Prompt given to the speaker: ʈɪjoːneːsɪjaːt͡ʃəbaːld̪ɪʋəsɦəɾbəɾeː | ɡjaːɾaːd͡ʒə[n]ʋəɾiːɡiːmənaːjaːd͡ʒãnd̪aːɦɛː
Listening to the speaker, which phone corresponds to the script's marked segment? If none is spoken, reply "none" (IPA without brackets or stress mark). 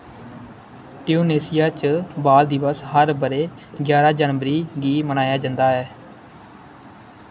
n